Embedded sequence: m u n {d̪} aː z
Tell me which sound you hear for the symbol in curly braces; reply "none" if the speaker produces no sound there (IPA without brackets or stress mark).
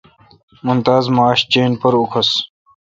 t̪